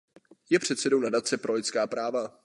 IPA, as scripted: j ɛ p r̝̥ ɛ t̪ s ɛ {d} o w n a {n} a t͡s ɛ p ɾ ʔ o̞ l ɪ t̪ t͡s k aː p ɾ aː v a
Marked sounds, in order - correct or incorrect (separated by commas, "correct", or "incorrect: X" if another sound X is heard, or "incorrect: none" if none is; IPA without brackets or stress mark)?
correct, incorrect: d